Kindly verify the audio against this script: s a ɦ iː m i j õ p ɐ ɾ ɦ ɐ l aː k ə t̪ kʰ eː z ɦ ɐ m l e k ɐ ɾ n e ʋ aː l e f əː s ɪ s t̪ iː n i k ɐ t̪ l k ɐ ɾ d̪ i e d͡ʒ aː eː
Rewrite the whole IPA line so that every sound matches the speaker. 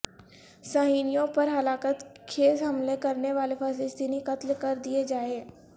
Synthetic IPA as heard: s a ɦ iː n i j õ p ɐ ɾ ɦ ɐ l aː k ə t̪ kʰ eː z ɦ ɐ m l e k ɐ ɾ n e ʋ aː l e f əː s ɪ s t̪ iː n i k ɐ t̪ l k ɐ ɾ d̪ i e d͡ʒ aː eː